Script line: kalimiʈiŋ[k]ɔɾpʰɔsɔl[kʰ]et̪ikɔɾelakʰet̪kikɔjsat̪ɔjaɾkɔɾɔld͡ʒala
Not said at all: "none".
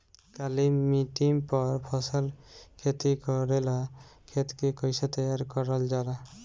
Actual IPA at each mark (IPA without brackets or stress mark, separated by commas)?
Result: p, kʰ